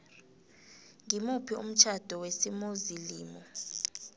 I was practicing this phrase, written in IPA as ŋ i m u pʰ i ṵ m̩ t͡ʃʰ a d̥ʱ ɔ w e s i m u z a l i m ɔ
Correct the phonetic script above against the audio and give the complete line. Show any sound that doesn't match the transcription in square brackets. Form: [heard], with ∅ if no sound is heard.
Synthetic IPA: ŋ i m u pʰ i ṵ m̩ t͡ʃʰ a d̥ʱ ɔ w e s i m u z [i] l [iː] m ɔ